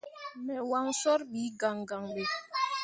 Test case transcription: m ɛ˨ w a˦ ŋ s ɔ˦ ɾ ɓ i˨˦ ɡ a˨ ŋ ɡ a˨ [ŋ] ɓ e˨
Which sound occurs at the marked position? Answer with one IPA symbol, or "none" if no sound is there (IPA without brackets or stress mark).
ŋ